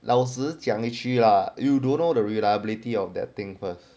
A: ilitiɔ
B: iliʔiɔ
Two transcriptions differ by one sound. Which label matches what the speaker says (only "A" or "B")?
A